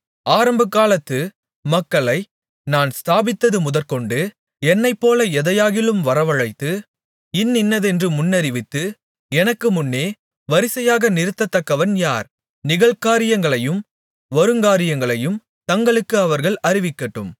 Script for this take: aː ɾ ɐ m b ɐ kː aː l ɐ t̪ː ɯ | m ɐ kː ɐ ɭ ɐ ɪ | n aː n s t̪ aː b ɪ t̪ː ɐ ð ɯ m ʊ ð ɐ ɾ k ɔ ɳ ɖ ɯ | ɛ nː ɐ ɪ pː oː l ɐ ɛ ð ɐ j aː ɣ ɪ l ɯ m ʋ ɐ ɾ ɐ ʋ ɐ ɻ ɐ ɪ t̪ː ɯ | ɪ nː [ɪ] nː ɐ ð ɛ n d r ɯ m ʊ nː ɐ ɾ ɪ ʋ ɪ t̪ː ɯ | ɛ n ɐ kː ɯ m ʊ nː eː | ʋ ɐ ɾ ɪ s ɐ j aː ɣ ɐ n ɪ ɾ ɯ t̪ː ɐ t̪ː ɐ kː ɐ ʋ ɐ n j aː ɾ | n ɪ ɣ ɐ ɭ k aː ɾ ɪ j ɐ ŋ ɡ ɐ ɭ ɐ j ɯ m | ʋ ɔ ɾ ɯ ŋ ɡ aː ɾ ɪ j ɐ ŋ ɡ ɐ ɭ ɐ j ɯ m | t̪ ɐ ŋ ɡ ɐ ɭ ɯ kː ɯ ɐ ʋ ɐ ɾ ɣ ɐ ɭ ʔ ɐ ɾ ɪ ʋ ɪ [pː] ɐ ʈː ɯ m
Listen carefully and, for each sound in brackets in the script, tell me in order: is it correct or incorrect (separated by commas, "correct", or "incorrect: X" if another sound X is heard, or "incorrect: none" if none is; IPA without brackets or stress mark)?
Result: correct, incorrect: kː